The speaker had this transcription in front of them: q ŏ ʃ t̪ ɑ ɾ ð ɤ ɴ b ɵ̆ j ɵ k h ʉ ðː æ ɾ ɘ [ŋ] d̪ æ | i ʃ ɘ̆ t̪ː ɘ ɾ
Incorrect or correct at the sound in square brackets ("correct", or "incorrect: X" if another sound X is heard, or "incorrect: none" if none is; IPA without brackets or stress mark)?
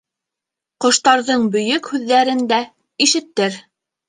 incorrect: n